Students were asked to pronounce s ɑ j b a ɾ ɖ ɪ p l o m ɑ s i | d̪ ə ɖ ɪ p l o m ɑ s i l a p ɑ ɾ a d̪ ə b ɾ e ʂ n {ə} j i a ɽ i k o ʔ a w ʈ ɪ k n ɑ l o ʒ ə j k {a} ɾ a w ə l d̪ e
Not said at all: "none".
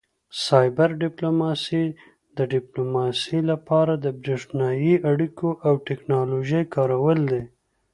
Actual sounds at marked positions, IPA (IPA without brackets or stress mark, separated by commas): ɑ, ɑ